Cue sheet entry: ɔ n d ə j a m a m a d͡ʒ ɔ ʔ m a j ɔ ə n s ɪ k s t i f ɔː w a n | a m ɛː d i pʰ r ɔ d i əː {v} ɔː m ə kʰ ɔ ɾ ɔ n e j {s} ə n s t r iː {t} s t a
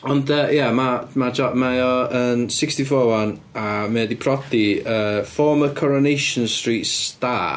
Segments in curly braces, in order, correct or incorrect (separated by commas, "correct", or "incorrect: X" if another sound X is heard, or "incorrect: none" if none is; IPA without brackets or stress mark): incorrect: f, incorrect: ʃ, correct